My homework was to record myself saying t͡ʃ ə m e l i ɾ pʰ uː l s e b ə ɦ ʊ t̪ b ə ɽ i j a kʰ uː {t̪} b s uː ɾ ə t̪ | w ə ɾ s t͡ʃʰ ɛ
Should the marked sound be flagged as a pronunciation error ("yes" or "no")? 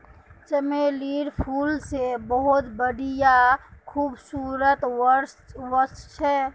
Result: yes